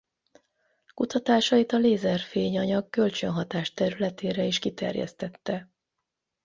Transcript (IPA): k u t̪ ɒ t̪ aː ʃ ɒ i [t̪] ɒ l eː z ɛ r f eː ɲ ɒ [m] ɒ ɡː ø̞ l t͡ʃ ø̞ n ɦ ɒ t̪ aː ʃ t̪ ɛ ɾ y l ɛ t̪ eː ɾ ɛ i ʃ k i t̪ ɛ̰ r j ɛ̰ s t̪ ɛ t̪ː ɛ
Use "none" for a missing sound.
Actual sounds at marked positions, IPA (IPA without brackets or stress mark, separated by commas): t̪, ɲ